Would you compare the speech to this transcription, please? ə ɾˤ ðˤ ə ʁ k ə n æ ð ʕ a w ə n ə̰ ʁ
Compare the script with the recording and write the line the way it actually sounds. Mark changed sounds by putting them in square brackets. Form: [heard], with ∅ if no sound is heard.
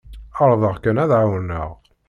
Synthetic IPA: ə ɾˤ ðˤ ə ʁ k ə n æ ð ʕ a w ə n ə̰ ʁ

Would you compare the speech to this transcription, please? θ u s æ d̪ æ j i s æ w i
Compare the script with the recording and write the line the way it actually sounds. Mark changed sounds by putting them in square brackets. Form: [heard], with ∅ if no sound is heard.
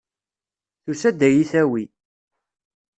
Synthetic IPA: θ u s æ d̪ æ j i [θ] æ w i

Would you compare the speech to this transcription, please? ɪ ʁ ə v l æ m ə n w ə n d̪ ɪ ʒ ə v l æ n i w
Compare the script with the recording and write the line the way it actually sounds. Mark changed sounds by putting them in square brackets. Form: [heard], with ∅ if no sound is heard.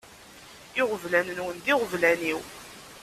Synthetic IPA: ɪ ʁ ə v l æ [n] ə n w ə n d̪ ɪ [ʁ] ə v l æ n i w

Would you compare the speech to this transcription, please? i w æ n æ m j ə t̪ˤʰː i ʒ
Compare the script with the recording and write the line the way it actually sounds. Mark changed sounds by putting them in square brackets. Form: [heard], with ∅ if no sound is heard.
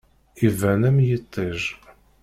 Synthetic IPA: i [v] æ n æ m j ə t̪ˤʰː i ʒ

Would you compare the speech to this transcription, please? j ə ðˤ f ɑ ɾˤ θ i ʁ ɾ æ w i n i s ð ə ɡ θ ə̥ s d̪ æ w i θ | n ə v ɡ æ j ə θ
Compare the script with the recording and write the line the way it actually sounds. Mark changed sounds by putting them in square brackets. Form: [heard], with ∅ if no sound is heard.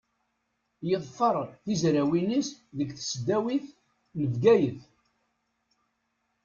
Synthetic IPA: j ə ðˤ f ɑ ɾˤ θ i [z] ɾ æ w i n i s ð ə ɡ θ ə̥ s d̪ æ w i θ | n ə v ɡ æ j ə θ

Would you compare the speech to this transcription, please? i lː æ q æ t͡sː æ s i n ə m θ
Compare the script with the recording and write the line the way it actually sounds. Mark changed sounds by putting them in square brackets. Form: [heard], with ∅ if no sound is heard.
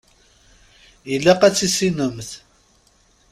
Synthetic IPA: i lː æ q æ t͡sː [i] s i n ə m θ

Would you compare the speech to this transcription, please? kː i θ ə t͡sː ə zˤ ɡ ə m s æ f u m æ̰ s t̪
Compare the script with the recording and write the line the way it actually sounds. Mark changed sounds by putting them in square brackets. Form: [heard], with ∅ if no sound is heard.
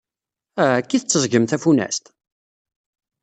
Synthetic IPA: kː i θ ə t͡sː ə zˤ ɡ ə m [θ] æ f u [n] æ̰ s t̪

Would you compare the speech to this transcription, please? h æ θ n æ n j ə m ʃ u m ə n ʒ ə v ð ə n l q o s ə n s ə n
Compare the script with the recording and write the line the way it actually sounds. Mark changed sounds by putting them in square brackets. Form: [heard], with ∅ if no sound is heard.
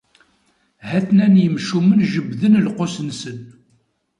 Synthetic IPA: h æ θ n æ n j ə m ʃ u m ə n ʒ ə [b] ð ə n l q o s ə n s ə n

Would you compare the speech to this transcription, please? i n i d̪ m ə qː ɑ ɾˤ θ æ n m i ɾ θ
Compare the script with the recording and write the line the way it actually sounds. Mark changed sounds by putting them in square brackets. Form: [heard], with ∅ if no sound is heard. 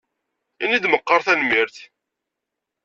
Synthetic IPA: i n i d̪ m ə qː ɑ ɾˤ θ æ n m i ɾ θ

